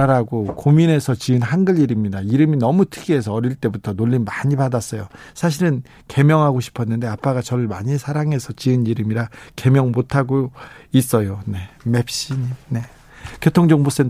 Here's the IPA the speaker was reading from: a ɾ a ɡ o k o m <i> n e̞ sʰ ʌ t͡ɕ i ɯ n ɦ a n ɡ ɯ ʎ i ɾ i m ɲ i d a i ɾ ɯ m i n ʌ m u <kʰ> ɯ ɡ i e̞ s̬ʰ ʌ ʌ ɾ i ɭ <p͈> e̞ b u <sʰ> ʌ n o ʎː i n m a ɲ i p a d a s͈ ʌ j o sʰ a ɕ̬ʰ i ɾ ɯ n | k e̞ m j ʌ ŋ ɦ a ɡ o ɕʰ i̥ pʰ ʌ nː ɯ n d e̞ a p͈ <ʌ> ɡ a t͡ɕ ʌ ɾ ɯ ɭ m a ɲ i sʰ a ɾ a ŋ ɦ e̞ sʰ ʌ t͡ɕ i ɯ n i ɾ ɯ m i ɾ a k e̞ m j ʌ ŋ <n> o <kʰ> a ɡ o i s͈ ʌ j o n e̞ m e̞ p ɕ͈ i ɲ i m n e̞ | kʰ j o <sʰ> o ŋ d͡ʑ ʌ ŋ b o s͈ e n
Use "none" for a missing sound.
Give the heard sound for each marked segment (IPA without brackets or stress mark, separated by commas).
i, tʰ, t͈, tʰ, a, m, tʰ, tʰ